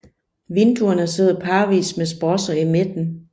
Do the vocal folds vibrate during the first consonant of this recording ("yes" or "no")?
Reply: yes